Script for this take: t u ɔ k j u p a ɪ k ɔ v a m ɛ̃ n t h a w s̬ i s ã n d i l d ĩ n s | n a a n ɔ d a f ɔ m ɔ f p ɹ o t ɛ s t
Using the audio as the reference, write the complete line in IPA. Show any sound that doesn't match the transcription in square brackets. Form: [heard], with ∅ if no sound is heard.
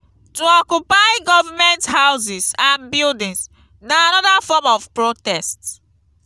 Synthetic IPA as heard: t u ɔ k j u p a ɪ [ɡ] ɔ v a m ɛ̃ n t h a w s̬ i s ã n [b] i l d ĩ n s | n a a n ɔ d a f ɔ m ɔ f p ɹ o t ɛ s t

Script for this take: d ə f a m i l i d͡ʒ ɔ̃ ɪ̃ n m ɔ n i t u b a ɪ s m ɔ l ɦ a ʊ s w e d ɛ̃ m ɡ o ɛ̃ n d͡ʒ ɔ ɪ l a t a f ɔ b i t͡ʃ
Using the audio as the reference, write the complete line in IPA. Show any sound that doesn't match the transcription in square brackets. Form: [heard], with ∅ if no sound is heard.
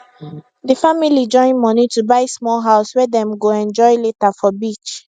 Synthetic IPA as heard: d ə f a m i l i d͡ʒ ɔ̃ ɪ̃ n m ɔ n i t u b a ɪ s m ɔ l ɦ a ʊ s w [ɛ] d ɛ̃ m ɡ o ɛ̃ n d͡ʒ ɔ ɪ l [e] t a f ɔ b i t͡ʃ

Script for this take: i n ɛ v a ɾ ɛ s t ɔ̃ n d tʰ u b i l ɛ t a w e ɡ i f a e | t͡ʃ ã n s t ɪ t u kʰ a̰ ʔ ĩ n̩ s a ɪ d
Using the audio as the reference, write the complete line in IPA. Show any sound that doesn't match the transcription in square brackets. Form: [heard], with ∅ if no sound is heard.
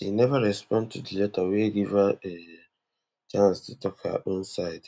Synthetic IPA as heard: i n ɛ v a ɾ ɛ s [p] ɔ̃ n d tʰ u [d] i l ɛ t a w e ɡ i [v] a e | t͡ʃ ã n s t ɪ t [ɔ] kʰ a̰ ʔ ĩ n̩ s a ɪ d

